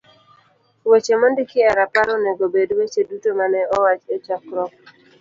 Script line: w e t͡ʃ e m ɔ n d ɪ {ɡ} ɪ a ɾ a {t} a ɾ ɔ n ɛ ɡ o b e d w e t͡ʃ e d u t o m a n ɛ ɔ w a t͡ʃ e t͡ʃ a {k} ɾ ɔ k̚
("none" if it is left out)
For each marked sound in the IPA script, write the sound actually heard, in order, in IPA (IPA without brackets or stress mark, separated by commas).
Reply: k, p, k